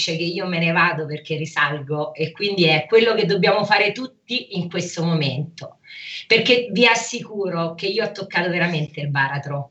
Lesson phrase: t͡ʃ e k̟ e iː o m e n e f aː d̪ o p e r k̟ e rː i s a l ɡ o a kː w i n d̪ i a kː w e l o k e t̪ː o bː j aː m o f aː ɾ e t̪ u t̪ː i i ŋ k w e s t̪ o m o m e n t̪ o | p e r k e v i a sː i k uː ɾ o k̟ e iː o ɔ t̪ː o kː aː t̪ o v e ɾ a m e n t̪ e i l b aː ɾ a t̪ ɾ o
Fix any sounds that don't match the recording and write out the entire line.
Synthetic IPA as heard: t͡ʃ e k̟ e iː o m e n e v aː d̪ o p e r k̟ e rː i s a l ɡ o e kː w i n d̪ i ɛ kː w e lː o k e d̪ː o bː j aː m o f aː ɾ e t̪ u t̪ː i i ŋ k w e s t̪ o m o m e n t̪ o | p e r k e v i a sː i k uː ɾ o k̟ e iː o ɔ t̪ː o kː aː t̪ o v e ɾ a m e n t̪ e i l b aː ɾ a t̪ ɾ o